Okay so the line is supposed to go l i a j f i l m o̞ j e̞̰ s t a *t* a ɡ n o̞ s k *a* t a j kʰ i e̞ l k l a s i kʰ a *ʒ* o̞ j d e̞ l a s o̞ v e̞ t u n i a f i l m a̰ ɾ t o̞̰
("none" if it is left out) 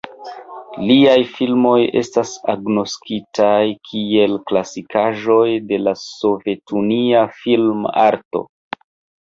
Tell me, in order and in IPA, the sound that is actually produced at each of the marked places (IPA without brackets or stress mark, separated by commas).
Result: s, i, ʒ